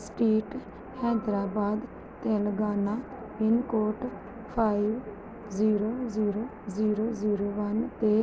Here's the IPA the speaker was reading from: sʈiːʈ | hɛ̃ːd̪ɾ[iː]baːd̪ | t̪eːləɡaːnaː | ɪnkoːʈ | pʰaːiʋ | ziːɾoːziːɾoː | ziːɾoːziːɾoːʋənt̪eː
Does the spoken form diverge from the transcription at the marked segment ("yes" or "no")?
yes